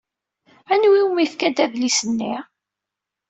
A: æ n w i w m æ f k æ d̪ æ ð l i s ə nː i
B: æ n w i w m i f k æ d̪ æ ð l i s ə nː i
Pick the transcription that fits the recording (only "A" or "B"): B